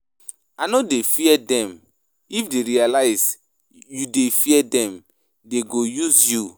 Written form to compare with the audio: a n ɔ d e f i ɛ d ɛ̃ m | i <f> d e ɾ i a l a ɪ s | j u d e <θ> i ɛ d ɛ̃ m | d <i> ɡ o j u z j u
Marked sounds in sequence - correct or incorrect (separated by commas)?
correct, incorrect, incorrect